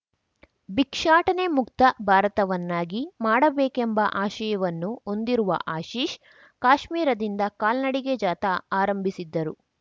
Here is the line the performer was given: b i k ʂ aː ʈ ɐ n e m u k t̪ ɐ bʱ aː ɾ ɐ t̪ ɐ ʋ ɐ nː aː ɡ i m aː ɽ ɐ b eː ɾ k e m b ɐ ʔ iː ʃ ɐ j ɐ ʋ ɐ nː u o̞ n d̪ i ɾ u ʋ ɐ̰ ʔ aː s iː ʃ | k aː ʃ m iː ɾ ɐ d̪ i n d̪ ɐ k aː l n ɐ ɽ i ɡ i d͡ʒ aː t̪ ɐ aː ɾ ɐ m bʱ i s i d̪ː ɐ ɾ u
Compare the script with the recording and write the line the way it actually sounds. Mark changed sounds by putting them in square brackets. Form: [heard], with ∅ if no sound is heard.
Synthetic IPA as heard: b i k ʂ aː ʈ ɐ n e m u k t̪ ɐ bʱ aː ɾ ɐ t̪ ɐ ʋ ɐ nː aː ɡ i m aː ɽ ɐ b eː [∅] k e m b ɐ ʔ [aː] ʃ ɐ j ɐ ʋ ɐ nː u o̞ n d̪ i ɾ u ʋ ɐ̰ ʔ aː [ʃ] iː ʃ | k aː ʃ m iː ɾ ɐ d̪ i n d̪ ɐ k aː l n ɐ ɽ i ɡ [e] d͡ʒ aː t̪ ɐ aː ɾ ɐ m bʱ i s i d̪ː ɐ ɾ u